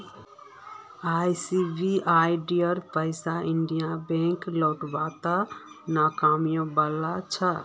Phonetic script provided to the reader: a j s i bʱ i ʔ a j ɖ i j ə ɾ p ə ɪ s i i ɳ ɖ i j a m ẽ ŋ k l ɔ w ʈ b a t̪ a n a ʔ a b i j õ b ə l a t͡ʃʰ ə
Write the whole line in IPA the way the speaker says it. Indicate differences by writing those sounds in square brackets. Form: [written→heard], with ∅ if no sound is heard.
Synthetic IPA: a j s i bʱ i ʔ a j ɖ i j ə ɾ p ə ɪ s [i→a] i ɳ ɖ i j a [m→b] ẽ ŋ k l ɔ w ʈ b a t̪ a n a [ʔ→k] a [b→m] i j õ b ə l a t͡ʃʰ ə

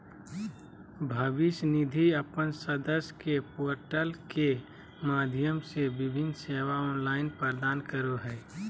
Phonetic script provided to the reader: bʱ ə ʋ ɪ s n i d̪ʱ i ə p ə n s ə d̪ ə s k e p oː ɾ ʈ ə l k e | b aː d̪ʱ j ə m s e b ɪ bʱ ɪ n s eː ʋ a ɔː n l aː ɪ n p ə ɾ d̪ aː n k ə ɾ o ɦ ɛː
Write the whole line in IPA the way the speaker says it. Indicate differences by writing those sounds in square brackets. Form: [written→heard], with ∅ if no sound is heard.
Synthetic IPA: bʱ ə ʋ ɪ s n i d̪ʱ i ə p ə n s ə d̪ ə s k e p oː ɾ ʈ ə l k e | [b→m] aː d̪ʱ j ə m s e b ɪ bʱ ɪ n s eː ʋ a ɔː n l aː ɪ n p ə ɾ d̪ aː n k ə ɾ o ɦ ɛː

